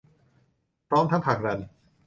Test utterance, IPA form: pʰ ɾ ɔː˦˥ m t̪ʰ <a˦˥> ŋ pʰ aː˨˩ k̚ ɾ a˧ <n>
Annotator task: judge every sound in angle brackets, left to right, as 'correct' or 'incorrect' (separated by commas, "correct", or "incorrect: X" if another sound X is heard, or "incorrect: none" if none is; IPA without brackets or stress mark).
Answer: correct, correct